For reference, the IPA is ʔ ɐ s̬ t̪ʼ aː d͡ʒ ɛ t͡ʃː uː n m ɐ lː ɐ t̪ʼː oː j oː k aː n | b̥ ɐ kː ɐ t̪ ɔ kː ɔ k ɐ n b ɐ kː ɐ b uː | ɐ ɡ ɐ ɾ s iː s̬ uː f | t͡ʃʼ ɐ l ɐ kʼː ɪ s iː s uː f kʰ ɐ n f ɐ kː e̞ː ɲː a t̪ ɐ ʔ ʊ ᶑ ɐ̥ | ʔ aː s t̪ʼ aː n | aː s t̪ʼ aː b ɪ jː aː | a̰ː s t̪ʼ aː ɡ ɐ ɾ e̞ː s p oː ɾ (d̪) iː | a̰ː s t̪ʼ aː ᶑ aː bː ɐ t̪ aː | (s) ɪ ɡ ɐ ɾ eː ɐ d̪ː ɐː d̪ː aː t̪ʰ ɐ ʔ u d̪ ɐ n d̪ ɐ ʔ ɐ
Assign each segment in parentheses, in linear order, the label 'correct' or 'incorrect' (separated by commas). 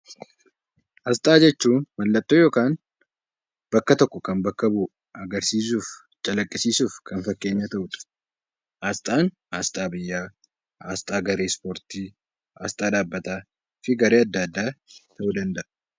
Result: incorrect, incorrect